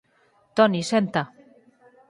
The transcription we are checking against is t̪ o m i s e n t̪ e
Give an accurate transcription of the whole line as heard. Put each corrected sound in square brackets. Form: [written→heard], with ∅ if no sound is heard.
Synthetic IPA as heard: t̪ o [m→n] i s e n t̪ [e→a]